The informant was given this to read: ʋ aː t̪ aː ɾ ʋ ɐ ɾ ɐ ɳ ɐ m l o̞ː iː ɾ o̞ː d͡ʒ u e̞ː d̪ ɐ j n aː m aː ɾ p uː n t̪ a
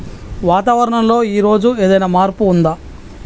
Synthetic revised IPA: ʋ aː t̪ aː ʋ ɐ ɾ ɐ ɳ ɐ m l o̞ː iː ɾ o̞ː d͡ʒ u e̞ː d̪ ɐ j n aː m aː ɾ p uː n d̪ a